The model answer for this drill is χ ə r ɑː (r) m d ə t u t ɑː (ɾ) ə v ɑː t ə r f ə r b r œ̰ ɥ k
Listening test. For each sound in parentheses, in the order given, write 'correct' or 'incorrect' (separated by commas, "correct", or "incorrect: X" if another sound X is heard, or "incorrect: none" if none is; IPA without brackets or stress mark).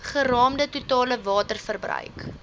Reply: incorrect: none, incorrect: l